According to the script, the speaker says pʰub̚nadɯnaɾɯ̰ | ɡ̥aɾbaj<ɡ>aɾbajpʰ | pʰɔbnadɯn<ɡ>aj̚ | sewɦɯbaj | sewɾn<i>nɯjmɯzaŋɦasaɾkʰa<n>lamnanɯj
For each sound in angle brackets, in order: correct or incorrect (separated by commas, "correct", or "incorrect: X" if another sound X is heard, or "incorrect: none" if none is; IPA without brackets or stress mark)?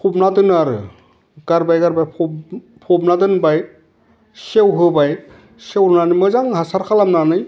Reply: correct, incorrect: b, incorrect: a, incorrect: none